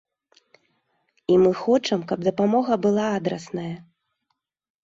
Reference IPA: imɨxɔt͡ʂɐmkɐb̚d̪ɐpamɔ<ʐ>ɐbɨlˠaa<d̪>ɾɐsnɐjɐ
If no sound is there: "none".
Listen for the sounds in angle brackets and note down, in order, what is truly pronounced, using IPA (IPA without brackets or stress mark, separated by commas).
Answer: ɣ, d̪